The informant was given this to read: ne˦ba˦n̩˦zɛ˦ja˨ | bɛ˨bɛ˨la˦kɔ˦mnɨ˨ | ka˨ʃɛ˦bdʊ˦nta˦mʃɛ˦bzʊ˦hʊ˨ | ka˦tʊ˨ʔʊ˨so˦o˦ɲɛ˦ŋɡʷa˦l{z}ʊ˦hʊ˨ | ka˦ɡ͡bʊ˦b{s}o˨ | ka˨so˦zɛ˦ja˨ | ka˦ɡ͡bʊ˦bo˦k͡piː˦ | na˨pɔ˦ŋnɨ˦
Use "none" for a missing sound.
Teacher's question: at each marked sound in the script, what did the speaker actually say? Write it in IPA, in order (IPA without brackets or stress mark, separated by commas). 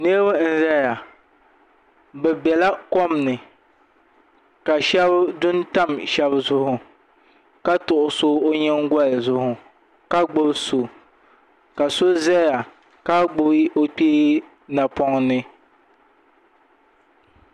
z, s